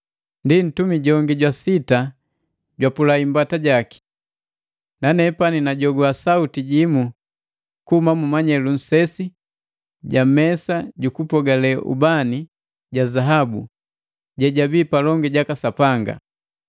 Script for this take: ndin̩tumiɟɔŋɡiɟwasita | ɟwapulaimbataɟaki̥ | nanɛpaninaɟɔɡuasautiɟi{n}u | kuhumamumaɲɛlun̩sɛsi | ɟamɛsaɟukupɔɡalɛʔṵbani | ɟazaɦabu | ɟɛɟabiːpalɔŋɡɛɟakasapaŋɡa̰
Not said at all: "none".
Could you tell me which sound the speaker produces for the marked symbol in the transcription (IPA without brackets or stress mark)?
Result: m